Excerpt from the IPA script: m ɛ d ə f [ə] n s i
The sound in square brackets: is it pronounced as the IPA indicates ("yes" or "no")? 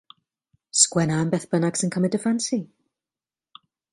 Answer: no